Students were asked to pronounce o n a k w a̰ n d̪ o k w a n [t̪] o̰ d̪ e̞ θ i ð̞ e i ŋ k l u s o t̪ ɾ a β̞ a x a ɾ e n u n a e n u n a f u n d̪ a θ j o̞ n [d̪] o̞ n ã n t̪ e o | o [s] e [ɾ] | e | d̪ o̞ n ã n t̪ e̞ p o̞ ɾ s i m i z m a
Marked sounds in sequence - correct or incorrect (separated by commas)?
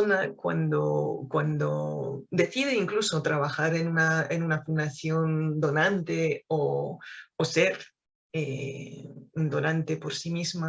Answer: incorrect, correct, correct, correct